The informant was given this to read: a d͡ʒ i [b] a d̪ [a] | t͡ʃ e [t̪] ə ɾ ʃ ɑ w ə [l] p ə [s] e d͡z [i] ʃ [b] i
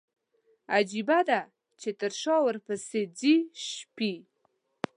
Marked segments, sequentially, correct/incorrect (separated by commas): correct, correct, correct, incorrect, correct, correct, incorrect